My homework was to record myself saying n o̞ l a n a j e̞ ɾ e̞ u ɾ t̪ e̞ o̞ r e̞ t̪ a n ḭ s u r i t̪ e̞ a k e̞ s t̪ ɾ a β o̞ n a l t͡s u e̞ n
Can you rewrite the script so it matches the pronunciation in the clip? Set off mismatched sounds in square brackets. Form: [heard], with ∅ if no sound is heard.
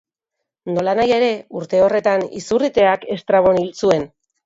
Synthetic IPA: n o̞ l a n a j e̞ ɾ e̞ u ɾ t̪ e̞ o̞ r e̞ t̪ a n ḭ s u r i t̪ e̞ a k e̞ s t̪ ɾ a β o̞ n [i] l t͡s u e̞ n